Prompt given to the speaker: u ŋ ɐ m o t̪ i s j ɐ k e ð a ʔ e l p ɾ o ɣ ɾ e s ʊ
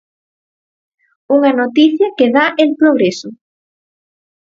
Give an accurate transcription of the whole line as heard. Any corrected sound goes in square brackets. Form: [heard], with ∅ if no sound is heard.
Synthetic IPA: u ŋ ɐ [n] o t̪ i [θ] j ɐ k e ð a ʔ e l p ɾ o ɣ ɾ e s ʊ